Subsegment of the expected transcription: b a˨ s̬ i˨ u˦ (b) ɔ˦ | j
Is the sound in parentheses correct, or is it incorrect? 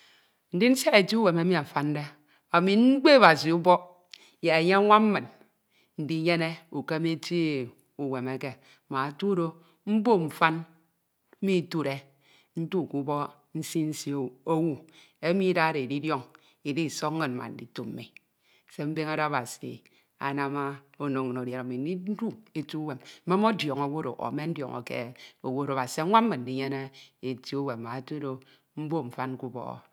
correct